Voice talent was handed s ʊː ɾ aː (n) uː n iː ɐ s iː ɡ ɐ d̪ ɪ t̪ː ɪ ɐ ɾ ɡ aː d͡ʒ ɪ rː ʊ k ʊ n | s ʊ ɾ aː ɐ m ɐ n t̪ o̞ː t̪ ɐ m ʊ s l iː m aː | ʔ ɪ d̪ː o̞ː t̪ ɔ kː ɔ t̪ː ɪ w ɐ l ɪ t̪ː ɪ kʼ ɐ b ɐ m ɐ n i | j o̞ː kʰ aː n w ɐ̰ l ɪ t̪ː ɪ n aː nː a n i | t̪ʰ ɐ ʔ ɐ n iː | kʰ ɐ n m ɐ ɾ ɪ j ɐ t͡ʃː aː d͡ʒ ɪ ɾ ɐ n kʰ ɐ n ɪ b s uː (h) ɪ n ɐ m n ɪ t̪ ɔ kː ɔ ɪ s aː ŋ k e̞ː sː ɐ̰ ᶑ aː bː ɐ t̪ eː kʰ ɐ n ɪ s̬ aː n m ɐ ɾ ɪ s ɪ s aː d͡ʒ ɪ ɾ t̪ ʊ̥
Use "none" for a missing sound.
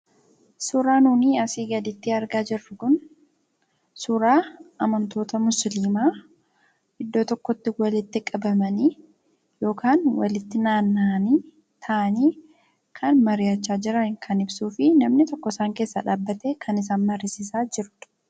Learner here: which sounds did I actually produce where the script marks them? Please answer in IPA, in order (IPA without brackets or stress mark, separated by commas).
n, f